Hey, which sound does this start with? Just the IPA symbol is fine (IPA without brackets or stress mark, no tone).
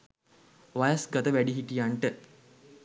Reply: ʋ